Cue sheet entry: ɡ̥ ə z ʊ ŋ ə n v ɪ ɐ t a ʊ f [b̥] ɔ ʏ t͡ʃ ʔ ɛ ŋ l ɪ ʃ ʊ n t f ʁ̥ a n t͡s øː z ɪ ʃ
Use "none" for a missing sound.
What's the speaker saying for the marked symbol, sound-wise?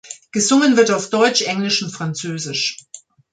d̥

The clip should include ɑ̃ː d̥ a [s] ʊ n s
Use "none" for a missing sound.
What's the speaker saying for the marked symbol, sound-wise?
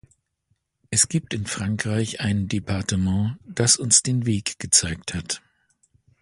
s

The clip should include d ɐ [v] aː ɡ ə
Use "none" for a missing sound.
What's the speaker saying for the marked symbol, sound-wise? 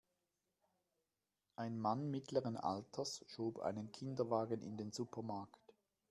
v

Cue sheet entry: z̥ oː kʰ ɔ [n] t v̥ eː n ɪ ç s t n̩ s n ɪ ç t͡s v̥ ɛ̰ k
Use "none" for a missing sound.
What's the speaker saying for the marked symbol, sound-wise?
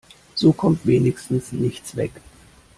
m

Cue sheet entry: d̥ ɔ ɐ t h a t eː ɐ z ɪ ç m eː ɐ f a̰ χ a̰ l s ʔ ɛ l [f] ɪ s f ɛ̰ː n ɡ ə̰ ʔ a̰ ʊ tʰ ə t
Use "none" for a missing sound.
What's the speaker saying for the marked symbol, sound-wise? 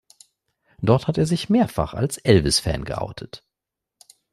v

